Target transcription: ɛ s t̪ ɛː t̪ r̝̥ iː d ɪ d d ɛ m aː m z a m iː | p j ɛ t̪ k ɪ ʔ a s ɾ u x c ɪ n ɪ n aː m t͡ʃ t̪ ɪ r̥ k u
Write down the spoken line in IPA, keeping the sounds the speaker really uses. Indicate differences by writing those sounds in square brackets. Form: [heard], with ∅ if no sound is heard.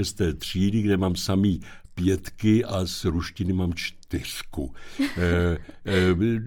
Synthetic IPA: ɛ s t̪ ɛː t̪ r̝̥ iː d ɪ [ɡ] d ɛ m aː m [s] a m iː | p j ɛ t̪ k ɪ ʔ a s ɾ u [ʃ] c ɪ n ɪ [m] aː m t͡ʃ t̪ ɪ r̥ k u